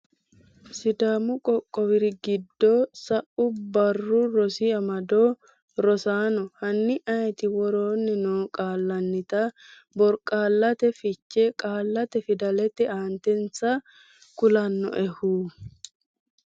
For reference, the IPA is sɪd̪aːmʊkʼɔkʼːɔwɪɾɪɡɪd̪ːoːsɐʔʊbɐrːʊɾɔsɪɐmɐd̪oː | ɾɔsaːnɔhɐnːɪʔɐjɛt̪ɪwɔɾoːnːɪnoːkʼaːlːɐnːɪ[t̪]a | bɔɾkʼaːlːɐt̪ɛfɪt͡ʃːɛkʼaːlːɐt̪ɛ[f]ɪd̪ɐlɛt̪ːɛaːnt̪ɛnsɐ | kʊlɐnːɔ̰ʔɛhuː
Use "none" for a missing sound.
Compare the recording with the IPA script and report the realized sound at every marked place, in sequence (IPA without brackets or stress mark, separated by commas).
t̪, f